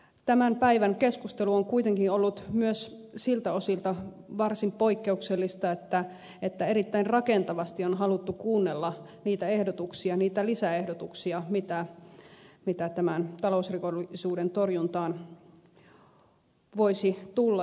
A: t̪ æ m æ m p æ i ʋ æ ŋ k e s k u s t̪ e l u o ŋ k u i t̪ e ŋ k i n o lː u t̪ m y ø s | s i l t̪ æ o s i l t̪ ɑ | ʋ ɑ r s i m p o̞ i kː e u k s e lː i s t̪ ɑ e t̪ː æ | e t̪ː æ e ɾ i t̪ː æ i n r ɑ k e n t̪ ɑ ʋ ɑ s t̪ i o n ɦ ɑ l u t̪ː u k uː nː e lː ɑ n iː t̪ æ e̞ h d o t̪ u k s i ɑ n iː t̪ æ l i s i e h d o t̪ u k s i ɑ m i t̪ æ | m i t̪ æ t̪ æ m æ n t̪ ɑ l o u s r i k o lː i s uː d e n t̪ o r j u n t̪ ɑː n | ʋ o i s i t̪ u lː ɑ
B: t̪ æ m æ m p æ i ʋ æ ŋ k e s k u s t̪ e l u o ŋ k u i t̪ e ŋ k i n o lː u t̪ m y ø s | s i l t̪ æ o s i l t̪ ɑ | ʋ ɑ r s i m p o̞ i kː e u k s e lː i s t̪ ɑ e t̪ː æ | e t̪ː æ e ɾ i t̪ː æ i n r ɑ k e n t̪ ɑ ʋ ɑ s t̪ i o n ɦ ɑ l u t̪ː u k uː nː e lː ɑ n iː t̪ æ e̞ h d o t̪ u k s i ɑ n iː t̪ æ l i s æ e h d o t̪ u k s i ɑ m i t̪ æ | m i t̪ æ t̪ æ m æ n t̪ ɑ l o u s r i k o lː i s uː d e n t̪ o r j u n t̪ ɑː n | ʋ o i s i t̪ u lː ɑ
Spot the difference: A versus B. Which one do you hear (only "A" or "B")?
B